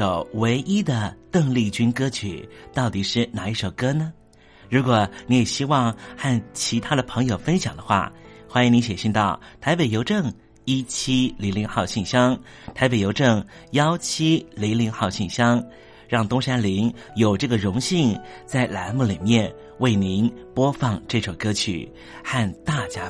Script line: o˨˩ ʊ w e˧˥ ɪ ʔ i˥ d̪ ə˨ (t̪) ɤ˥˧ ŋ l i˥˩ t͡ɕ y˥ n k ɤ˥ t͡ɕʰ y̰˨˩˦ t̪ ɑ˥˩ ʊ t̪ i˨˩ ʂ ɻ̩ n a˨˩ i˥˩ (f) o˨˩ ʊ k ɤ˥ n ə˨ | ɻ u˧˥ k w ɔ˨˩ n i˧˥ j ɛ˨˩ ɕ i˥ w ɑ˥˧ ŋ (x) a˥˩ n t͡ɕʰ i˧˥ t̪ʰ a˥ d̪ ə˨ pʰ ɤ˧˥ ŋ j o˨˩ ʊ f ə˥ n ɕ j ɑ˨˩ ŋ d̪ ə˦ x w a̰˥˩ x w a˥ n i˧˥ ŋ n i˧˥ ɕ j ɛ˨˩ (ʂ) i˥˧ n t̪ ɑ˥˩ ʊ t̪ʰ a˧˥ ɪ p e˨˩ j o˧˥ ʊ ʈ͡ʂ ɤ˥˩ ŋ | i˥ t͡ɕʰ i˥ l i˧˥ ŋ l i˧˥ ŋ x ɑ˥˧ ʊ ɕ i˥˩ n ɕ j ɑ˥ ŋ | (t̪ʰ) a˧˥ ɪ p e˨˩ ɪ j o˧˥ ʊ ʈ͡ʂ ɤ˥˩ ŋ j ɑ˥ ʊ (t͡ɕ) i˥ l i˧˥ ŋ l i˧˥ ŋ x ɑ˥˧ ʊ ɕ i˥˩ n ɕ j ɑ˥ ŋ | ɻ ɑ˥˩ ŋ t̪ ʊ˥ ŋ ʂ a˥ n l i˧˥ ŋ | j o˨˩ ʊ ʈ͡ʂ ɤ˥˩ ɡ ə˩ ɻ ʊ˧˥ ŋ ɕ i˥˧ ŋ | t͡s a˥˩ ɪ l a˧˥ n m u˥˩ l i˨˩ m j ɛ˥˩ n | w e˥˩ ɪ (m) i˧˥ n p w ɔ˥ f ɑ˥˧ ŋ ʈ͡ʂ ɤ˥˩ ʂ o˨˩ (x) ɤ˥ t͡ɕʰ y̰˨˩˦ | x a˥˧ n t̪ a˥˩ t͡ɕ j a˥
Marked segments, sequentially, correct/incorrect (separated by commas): correct, incorrect, correct, incorrect, correct, incorrect, incorrect, incorrect